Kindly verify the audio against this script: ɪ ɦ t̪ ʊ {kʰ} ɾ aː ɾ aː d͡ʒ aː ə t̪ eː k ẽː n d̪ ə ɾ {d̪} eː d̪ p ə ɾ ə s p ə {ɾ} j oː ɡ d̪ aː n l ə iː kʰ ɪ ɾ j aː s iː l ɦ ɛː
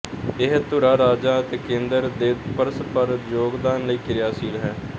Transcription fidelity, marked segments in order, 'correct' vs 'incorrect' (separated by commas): incorrect, correct, correct